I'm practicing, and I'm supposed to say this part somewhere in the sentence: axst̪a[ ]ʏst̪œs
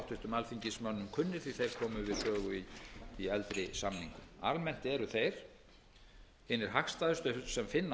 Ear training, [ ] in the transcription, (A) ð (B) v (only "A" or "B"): A